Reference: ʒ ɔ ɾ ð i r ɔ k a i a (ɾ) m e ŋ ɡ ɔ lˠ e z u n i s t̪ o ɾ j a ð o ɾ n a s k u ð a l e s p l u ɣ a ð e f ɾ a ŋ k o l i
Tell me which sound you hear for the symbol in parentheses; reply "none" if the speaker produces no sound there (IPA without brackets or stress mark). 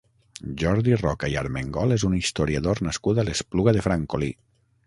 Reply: ɾ